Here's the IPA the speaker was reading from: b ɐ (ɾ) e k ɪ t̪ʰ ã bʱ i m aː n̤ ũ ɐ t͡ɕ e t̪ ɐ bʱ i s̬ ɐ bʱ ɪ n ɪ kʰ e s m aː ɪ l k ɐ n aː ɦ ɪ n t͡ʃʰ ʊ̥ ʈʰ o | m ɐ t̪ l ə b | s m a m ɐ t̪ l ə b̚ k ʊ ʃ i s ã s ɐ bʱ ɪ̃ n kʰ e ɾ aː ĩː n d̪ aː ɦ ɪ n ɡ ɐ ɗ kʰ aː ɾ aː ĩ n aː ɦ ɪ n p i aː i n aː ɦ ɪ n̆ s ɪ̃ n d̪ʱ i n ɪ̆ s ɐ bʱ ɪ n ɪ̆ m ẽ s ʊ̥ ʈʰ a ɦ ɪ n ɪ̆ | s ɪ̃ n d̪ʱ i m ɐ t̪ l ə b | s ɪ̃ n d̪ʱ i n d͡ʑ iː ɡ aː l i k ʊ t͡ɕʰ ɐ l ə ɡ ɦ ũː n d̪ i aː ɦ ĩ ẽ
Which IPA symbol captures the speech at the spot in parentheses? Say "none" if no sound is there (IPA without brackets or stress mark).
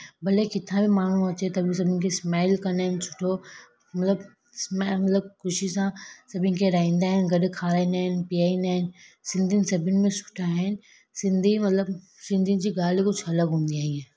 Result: l